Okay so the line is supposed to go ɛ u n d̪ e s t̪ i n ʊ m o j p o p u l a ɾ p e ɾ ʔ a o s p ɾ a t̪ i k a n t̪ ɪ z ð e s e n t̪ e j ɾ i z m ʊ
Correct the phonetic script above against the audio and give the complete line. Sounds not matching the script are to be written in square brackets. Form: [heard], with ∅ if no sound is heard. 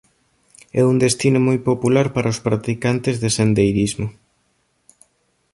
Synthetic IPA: ɛ u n d̪ e s t̪ i n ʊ m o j p o p u l a ɾ p [a] ɾ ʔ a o s p ɾ a t̪ i k a n t̪ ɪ z ð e s e n [d̪] e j ɾ i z m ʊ